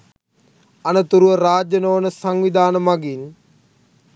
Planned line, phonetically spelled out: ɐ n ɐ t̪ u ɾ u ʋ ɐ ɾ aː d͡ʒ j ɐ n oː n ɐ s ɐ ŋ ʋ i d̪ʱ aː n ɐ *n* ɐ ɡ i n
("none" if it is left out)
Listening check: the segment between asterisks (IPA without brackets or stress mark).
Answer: m